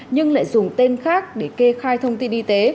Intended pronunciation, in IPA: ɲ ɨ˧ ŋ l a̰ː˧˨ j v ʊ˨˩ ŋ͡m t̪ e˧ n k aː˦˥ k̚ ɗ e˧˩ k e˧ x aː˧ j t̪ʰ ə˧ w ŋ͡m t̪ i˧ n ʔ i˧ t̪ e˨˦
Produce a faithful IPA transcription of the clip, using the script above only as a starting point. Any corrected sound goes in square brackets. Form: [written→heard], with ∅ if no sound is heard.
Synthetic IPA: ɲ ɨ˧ ŋ l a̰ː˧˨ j [v→z] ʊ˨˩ ŋ͡m t̪ e˧ n [k→x] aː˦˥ k̚ ɗ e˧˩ k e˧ x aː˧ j t̪ʰ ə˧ w ŋ͡m t̪ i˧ n ʔ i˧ t̪ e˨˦

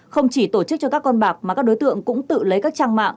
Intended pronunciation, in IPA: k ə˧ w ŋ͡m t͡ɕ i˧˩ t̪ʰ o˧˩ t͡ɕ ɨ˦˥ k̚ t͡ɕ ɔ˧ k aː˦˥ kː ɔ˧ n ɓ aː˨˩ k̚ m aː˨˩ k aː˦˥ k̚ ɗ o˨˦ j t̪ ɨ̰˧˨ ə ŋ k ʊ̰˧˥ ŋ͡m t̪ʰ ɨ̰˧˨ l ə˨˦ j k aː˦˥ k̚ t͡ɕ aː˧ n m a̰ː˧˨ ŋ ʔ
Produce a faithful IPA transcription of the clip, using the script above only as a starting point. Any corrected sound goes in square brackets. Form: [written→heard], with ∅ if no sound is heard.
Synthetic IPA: [k→x] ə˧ w ŋ͡m t͡ɕ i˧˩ [t̪ʰ→t̪] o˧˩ t͡ɕ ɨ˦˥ k̚ t͡ɕ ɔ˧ k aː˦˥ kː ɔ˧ n ɓ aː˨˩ k̚ m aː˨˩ k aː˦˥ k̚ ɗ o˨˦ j t̪ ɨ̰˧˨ ə ŋ k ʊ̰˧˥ ŋ͡m [t̪ʰ→t̪] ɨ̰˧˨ l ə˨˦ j k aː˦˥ k̚ t͡ɕ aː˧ [n→ŋ] m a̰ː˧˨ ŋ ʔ

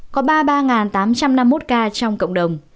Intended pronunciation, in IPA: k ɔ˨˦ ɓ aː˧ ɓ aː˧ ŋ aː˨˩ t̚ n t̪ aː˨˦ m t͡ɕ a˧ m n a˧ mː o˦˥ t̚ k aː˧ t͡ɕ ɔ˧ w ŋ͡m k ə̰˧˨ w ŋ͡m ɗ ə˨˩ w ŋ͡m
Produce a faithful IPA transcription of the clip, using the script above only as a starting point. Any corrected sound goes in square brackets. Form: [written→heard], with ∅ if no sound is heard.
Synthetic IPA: k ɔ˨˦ ɓ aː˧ ɓ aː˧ ŋ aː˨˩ [t̚→∅] n t̪ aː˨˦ m t͡ɕ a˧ m n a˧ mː o˦˥ t̚ k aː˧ t͡ɕ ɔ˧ w ŋ͡m k ə̰˧˨ w ŋ͡m ɗ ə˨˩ w ŋ͡m

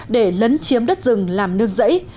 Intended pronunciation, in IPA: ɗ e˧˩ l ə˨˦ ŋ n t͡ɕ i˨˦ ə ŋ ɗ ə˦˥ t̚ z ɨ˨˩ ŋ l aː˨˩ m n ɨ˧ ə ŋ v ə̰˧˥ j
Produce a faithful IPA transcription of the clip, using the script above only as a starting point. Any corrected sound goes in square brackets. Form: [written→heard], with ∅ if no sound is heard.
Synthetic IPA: ɗ e˧˩ l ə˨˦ [ŋ→∅] n t͡ɕ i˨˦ ə [ŋ→m] ɗ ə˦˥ t̚ z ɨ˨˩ ŋ l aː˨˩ m n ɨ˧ ə ŋ [v→z] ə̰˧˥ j

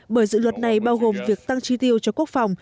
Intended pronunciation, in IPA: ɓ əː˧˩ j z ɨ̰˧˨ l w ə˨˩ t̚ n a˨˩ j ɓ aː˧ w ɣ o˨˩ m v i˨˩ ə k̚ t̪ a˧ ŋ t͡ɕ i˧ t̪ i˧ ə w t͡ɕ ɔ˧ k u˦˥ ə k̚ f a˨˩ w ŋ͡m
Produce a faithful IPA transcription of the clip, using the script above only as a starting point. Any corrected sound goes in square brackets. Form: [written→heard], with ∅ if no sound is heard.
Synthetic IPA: ɓ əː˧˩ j z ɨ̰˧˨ l w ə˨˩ t̚ n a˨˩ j ɓ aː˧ w ɣ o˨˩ m v i˨˩ ə k̚ t̪ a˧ ŋ t͡ɕ i˧ t̪ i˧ ə w t͡ɕ ɔ˧ k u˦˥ ə k̚ f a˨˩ w ŋ͡m

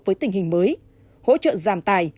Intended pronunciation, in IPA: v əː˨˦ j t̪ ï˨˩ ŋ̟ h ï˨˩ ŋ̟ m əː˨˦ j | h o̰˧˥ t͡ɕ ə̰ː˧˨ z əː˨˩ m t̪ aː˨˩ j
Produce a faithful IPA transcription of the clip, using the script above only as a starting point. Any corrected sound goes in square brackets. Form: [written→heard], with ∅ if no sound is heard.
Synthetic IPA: v əː˨˦ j t̪ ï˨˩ ŋ̟ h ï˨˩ ŋ̟ m əː˨˦ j | h o̰˧˥ t͡ɕ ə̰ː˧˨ z [əː˨˩→aː˨˩] m t̪ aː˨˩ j

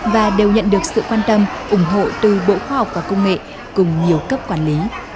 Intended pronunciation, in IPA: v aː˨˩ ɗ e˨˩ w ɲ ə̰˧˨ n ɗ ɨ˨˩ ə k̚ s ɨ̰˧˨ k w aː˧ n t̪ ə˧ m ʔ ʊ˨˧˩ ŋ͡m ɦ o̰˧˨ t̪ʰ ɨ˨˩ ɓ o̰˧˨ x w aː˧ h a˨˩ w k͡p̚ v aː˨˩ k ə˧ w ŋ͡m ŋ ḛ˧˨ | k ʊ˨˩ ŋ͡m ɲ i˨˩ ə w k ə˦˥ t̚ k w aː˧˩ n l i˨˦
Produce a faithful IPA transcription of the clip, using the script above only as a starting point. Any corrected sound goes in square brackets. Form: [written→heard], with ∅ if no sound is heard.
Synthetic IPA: v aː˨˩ ɗ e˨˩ w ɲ ə̰˧˨ n ɗ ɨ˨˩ ə k̚ s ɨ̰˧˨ k w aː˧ n t̪ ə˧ m ʔ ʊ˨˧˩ ŋ͡m ɦ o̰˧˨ [t̪ʰ→t̪] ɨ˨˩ ɓ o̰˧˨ x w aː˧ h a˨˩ w k͡p̚ v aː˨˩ k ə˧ w ŋ͡m ŋ ḛ˧˨ | k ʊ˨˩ ŋ͡m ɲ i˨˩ ə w k ə˦˥ [t̚→p̚] k w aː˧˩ n l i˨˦

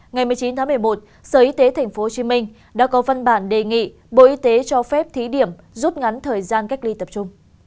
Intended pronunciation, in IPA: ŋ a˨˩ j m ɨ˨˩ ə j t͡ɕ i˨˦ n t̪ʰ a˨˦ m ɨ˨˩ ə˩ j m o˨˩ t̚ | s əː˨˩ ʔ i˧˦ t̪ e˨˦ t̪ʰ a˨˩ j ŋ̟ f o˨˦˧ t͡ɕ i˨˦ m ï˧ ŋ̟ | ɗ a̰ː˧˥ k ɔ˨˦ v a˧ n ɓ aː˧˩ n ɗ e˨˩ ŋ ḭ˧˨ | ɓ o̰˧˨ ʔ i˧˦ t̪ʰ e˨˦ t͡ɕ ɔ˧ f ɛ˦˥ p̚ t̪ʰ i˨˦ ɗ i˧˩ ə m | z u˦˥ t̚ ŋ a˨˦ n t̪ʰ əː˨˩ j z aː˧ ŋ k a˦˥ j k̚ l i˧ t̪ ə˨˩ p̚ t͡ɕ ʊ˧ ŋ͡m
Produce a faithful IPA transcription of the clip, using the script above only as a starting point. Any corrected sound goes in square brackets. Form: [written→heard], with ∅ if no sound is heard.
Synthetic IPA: ŋ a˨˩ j m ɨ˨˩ ə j t͡ɕ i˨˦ n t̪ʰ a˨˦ m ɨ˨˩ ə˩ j m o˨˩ t̚ | s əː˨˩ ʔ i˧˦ t̪ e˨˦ t̪ʰ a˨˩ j ŋ̟ f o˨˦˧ t͡ɕ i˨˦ m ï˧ ŋ̟ | ɗ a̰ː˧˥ k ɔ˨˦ v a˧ n ɓ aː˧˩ n ɗ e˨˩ ŋ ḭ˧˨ | ɓ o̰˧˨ ʔ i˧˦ [t̪ʰ→t̪] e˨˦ t͡ɕ ɔ˧ f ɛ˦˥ p̚ t̪ʰ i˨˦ ɗ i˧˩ ə m | z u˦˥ t̚ ŋ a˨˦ n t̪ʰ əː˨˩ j z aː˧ [ŋ→n] k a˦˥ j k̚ l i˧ t̪ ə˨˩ p̚ t͡ɕ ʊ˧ ŋ͡m

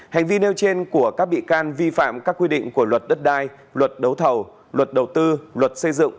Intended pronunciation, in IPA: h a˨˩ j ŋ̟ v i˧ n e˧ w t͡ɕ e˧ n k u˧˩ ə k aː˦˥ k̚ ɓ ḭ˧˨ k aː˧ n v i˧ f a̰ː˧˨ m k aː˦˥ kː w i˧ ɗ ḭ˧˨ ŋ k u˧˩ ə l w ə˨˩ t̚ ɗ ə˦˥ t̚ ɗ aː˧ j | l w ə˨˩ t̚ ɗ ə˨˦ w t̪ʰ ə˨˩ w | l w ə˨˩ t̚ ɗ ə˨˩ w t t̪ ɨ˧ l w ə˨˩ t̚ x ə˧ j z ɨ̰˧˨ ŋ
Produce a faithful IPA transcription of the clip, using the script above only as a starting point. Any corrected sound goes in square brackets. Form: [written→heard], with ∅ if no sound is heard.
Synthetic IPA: h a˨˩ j ŋ̟ v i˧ n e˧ w t͡ɕ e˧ n k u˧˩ ə k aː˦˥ k̚ ɓ ḭ˧˨ k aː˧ n v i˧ f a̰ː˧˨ m k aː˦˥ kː w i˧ ɗ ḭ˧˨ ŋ k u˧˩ ə l w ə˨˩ t̚ ɗ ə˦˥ t̚ ɗ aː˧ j | l w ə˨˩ t̚ ɗ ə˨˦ w t̪ʰ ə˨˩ w | l w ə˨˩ t̚ ɗ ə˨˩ w t t̪ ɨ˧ l w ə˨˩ t̚ [x→s] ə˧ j z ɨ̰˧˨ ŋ

